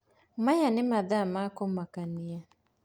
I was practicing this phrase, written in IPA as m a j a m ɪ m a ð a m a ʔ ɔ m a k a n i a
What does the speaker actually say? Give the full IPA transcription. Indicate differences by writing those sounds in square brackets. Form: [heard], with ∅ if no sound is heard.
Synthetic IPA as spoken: m a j a [n] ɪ m a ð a m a [k] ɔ m a k a n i a